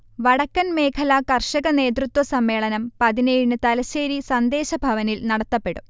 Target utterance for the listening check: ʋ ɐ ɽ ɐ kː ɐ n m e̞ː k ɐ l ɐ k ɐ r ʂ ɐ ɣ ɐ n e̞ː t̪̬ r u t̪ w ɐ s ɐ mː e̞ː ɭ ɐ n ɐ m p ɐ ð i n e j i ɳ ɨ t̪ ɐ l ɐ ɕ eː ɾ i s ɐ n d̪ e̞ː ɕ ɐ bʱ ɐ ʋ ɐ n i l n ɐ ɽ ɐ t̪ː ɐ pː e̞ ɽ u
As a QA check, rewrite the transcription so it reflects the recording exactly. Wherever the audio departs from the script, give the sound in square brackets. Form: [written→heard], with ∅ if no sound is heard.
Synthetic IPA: ʋ ɐ ɽ ɐ kː ɐ n m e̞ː [k→kʰ] ɐ l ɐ k ɐ r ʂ ɐ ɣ ɐ n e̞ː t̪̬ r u t̪ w ɐ s ɐ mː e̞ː ɭ ɐ n ɐ m p ɐ ð i n e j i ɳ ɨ t̪ ɐ l ɐ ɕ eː ɾ i s ɐ n d̪ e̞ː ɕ ɐ bʱ ɐ ʋ ɐ n i l n ɐ ɽ ɐ t̪ː ɐ pː e̞ ɽ u

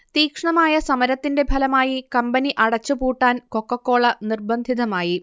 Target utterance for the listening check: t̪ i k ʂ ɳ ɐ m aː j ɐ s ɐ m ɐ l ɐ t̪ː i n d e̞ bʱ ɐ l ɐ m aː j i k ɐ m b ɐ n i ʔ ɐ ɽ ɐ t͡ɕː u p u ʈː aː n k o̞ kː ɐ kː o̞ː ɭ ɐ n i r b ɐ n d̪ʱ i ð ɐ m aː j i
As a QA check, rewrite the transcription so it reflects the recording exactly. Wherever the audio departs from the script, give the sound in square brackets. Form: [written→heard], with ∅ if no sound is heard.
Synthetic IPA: t̪ [i→iː] k ʂ ɳ ɐ m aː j ɐ s ɐ m ɐ [l→ɾ] ɐ t̪ː i n d e̞ bʱ ɐ l ɐ m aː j i k ɐ m b ɐ n i ʔ ɐ ɽ ɐ t͡ɕː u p [u→uː] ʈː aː n k o̞ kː ɐ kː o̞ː ɭ ɐ n i r b ɐ n d̪ʱ i ð ɐ m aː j i

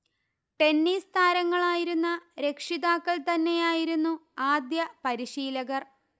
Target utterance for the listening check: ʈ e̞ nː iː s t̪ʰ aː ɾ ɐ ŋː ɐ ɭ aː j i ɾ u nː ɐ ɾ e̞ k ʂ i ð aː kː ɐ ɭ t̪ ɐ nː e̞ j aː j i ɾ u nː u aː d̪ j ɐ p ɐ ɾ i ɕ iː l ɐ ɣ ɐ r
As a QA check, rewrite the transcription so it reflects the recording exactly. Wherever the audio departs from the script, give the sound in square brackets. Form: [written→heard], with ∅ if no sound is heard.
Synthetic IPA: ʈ e̞ nː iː s t̪ʰ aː ɾ ɐ ŋː ɐ ɭ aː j i ɾ u nː ɐ ɾ e̞ k ʂ i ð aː kː ɐ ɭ t̪ ɐ nː e̞ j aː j i ɾ u nː u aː d̪ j ɐ p ɐ ɾ i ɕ iː l ɐ ɣ ɐ r

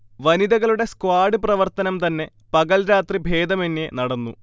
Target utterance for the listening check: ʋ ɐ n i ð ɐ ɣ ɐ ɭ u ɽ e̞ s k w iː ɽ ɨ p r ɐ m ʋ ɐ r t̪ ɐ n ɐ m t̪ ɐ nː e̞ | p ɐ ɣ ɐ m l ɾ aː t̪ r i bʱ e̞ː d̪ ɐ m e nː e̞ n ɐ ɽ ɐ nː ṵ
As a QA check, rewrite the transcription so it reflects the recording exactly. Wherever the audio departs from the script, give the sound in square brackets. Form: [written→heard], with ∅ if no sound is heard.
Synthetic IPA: ʋ ɐ n i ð ɐ ɣ ɐ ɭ u ɽ e̞ s k w [iː→aː] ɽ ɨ p r ɐ [m→∅] ʋ ɐ r t̪ ɐ n ɐ m t̪ ɐ nː e̞ | p ɐ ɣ ɐ [m→∅] l ɾ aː t̪ r i bʱ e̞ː d̪ ɐ m e nː e̞ n ɐ ɽ ɐ nː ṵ

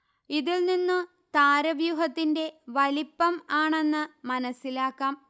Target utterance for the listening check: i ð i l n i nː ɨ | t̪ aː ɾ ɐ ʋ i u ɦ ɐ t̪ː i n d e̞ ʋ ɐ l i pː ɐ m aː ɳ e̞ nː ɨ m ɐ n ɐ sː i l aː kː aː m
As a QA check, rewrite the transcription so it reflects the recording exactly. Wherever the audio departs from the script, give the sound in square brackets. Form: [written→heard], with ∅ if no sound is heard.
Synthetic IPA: i ð i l n i nː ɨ | t̪ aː ɾ ɐ ʋ [i→j] u ɦ ɐ t̪ː i n d e̞ ʋ ɐ l i pː ɐ m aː ɳ e̞ nː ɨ m ɐ n ɐ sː i l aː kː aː m

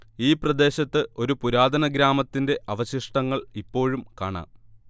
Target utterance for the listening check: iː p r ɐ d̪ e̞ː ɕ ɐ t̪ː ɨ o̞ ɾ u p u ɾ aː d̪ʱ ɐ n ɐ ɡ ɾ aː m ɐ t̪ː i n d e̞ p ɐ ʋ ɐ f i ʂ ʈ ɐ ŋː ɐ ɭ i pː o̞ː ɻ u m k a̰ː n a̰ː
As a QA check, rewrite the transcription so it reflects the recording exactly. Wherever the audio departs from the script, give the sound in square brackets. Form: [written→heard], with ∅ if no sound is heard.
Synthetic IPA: iː p r ɐ d̪ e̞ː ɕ ɐ t̪ː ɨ o̞ ɾ u p u ɾ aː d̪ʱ ɐ n ɐ ɡ ɾ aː m ɐ t̪ː i n d e̞ [p→ʔ] ɐ ʋ ɐ [f→ɕ] i ʂ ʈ ɐ ŋː ɐ ɭ i pː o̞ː ɻ u m k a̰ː [n→ɳ] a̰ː

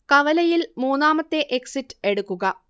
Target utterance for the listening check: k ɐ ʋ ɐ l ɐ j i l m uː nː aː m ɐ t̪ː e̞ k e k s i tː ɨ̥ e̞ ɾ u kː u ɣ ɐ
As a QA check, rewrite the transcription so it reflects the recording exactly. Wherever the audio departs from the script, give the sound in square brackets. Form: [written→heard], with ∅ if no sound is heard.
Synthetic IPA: k ɐ ʋ ɐ l ɐ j i l m uː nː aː m ɐ t̪ː e̞ [k→ʔ] e k s i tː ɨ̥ e̞ [ɾ→ɽ] u kː u ɣ ɐ

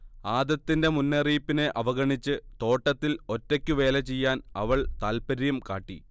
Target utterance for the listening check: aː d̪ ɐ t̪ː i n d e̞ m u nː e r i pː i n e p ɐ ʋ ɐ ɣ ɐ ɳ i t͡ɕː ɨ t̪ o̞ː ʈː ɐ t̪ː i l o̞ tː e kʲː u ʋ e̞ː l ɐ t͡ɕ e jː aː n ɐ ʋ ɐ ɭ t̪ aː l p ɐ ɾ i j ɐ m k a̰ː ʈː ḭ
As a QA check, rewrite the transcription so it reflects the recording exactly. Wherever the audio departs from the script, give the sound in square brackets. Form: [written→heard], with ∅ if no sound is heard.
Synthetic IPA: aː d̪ ɐ t̪ː i n d e̞ m u nː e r [i→iː] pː i n e [p→ʔ] ɐ ʋ ɐ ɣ ɐ ɳ i t͡ɕː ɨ t̪ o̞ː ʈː ɐ t̪ː i l o̞ tː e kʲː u ʋ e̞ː l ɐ t͡ɕ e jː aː n ɐ ʋ ɐ ɭ t̪ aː l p ɐ ɾ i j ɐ m k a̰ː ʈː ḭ

